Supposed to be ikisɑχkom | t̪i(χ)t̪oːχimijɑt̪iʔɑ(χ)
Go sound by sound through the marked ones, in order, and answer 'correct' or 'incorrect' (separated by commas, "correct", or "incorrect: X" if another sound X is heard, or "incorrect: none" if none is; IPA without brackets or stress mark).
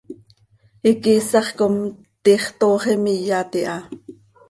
correct, incorrect: none